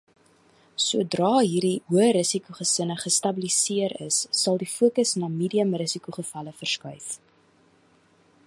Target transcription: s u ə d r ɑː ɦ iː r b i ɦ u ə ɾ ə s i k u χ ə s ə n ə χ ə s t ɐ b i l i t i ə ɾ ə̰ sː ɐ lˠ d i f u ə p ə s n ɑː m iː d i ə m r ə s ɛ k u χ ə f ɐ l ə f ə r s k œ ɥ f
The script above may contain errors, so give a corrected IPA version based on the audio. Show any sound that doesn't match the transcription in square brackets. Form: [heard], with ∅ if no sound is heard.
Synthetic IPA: s u ə d r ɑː ɦ iː r [d] i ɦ u ə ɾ ə s i k u χ ə s ə n ə χ ə s t ɐ b i l i [s] i ə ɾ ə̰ sː ɐ lˠ d i f u ə [k] ə s n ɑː m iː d i ə m r ə s [i] k u χ ə f ɐ l ə f ə r s k œ ɥ f

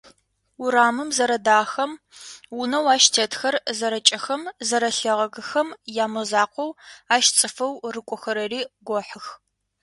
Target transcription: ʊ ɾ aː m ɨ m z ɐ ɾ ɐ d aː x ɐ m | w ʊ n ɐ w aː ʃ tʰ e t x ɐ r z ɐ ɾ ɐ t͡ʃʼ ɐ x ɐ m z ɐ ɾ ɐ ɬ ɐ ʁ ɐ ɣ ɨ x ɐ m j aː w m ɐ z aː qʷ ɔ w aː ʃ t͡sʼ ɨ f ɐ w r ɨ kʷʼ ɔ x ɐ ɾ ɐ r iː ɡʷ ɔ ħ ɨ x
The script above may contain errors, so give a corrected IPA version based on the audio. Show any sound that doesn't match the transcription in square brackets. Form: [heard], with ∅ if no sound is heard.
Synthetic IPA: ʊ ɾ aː m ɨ m z ɐ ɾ ɐ d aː x ɐ m | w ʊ n ɐ w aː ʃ tʰ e t x ɐ r z ɐ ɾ ɐ t͡ʃʼ ɐ x ɐ m z ɐ ɾ ɐ ɬ ɐ ʁ ɐ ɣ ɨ x ɐ m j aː [∅] m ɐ z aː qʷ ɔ w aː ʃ t͡sʼ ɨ f ɐ w r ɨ kʷʼ ɔ x ɐ ɾ ɐ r iː ɡʷ ɔ ħ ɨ x

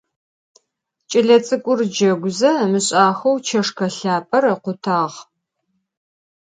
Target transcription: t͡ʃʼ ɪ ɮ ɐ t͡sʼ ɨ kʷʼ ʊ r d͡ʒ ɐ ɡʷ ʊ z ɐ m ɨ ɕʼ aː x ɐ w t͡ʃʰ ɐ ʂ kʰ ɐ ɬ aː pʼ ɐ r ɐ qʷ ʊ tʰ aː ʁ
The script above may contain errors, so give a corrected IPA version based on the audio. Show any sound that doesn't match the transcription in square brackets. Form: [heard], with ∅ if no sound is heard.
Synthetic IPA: t͡ʃʼ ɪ ɮ ɐ t͡sʼ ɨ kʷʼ ʊ r d͡ʒ ɐ ɡʷ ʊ z ɐ m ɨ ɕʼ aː x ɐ w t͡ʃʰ ɐ ʂ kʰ ɐ ɬ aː pʼ ɐ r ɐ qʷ ʊ tʰ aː ʁ

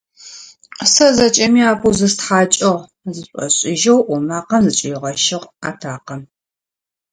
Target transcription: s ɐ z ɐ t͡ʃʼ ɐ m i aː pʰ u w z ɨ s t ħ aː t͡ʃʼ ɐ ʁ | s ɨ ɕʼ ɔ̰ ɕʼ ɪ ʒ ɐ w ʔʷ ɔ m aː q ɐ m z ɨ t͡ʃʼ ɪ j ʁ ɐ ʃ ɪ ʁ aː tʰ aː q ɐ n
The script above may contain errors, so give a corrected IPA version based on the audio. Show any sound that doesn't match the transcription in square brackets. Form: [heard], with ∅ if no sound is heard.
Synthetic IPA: s ɐ z ɐ t͡ʃʼ ɐ m i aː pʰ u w z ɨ s t ħ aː t͡ʃʼ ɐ ʁ | [z] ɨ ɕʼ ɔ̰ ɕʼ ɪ ʒ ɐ w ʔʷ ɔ m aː q ɐ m z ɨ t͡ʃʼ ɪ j ʁ ɐ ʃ ɪ ʁ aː tʰ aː q ɐ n

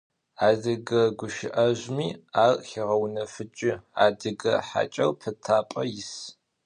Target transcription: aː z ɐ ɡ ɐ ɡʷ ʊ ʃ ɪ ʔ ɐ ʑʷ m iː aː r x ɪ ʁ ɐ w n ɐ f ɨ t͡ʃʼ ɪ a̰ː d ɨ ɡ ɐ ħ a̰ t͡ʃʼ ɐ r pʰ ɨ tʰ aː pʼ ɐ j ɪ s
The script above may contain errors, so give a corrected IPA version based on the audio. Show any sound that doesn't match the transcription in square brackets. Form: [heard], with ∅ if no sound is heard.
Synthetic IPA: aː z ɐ ɡ ɐ ɡʷ ʊ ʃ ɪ ʔ ɐ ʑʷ m iː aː r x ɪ ʁ ɐ w n ɐ f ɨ t͡ʃʼ ɪ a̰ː d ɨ ɡ ɐ ħ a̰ t͡ʃʼ ɐ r pʰ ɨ tʰ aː pʼ ɐ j ɪ s

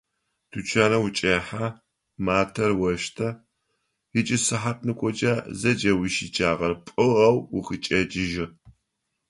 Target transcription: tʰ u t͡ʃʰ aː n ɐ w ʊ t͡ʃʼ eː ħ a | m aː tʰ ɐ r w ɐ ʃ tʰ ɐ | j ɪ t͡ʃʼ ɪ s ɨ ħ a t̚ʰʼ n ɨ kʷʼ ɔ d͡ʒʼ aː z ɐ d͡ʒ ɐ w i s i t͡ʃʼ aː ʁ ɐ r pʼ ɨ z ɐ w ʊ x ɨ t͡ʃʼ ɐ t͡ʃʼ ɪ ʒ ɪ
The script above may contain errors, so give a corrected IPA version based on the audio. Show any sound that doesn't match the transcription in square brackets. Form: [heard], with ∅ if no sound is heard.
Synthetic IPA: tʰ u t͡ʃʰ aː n ɐ w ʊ t͡ʃʼ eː ħ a | m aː tʰ ɐ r w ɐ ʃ tʰ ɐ | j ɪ t͡ʃʼ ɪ s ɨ ħ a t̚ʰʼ n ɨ kʷʼ ɔ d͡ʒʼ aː z ɐ d͡ʒ ɐ w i [ʃ] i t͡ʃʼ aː ʁ ɐ r pʼ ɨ [ʁ] ɐ w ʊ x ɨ t͡ʃʼ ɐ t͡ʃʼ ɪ ʒ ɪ

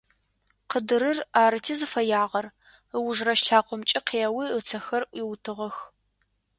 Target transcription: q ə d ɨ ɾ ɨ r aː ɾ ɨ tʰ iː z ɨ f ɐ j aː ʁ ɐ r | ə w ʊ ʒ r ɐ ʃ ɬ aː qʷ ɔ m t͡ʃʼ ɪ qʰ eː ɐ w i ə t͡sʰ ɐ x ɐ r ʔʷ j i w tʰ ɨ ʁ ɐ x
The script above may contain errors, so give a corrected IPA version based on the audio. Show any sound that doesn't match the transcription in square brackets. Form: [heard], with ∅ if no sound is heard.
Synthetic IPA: q ə d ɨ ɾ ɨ r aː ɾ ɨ tʰ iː z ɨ f ɐ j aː ʁ ɐ r | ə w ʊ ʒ r ɐ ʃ ɬ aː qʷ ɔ m t͡ʃʼ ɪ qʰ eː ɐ w i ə t͡sʰ ɐ x ɐ r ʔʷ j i w tʰ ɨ ʁ ɐ x

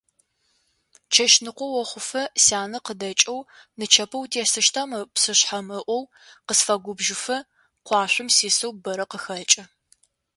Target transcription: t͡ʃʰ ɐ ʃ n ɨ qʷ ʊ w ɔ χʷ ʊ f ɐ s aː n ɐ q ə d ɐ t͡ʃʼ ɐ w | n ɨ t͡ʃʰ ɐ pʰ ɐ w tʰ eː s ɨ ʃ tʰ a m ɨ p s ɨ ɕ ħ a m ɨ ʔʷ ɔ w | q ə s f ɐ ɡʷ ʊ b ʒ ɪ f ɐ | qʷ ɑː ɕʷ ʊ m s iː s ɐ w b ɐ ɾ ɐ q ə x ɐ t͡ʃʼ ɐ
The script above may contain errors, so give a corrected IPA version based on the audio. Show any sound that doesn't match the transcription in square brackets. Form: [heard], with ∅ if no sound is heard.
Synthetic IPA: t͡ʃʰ ɐ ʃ n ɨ qʷ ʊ w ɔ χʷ ʊ f ɐ s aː n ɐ q ə d ɐ t͡ʃʼ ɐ w | n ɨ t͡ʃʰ ɐ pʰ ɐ w tʰ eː s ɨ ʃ tʰ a m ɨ p s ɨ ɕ ħ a m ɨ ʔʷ ɔ w | q ə s f ɐ ɡʷ ʊ b ʒ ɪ f ɐ | qʷ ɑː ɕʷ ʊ m s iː s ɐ w b ɐ ɾ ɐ q ə x ɐ t͡ʃʼ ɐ

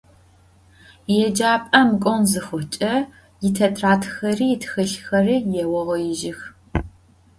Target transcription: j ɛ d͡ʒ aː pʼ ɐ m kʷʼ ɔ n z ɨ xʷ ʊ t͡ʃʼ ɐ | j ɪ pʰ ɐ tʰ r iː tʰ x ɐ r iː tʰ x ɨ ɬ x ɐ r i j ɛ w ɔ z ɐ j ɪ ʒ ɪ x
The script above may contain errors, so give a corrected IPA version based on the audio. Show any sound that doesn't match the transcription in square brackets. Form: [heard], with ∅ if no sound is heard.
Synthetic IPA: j ɛ d͡ʒ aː pʼ ɐ m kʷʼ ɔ n z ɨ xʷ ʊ t͡ʃʼ ɐ | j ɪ [tʰ] ɐ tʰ r [aː] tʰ x ɐ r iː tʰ x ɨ ɬ x ɐ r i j ɛ w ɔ [ʁ] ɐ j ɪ ʒ ɪ x

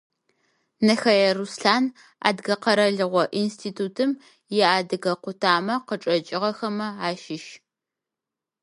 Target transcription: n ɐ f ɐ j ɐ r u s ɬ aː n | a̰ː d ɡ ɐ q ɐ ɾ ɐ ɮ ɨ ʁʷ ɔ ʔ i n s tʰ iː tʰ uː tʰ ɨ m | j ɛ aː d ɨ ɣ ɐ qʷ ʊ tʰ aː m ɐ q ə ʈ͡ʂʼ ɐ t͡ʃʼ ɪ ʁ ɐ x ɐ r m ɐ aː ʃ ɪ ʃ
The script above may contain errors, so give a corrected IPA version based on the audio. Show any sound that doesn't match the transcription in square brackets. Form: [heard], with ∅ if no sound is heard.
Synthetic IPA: n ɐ [x] ɐ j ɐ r u s ɬ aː n | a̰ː d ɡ ɐ q ɐ ɾ ɐ ɮ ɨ ʁʷ ɔ ʔ i n s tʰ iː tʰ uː tʰ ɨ m | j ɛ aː d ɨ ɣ ɐ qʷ ʊ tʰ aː m ɐ q ə ʈ͡ʂʼ ɐ t͡ʃʼ ɪ ʁ ɐ x ɐ [∅] m ɐ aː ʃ ɪ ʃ

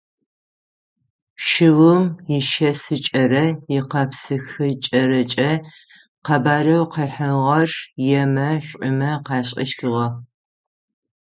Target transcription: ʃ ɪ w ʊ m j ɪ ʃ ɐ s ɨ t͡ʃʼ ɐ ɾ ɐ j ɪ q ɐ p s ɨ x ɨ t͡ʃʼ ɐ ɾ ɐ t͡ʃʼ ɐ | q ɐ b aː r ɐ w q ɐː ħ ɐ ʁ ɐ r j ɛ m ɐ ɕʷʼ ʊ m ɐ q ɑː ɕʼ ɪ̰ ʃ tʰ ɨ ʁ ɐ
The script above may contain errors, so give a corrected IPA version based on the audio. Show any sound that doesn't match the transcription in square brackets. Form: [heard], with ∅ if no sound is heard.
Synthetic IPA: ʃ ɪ w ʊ m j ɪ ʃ ɐ s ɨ t͡ʃʼ ɐ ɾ ɐ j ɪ q ɐ p s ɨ x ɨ t͡ʃʼ ɐ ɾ ɐ t͡ʃʼ ɐ | q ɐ b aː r ɐ w q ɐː ħ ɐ ʁ ɐ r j ɛ m ɐ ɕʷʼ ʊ m ɐ q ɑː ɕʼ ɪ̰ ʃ tʰ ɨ ʁ ɐ

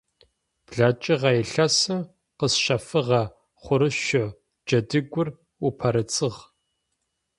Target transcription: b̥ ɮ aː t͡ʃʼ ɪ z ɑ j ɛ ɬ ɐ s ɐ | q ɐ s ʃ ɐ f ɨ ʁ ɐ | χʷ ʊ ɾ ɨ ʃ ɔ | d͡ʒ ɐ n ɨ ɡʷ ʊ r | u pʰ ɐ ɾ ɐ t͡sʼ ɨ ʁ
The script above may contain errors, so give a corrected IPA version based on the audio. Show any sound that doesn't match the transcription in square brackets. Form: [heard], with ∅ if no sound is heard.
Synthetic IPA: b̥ ɮ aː t͡ʃʼ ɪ [ʁ] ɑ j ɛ ɬ ɐ s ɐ | q [ə] s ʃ ɐ f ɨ ʁ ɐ | χʷ ʊ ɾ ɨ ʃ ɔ | d͡ʒ ɐ [d] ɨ ɡʷ ʊ r | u pʰ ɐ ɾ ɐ t͡sʼ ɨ ʁ

